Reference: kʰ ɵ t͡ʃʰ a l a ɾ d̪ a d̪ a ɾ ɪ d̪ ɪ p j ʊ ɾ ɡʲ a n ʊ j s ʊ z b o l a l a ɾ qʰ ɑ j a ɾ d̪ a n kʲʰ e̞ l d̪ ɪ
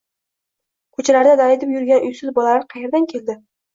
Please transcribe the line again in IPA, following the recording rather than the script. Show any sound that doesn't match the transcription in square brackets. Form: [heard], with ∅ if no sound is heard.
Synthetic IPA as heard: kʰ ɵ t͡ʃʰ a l a ɾ d̪ a d̪ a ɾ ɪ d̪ ɪ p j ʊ ɾ ɡʲ a n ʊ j s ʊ z b [ɒ] l a l a ɾ qʰ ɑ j [e] ɾ d̪ a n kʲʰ e̞ l d̪ ɪ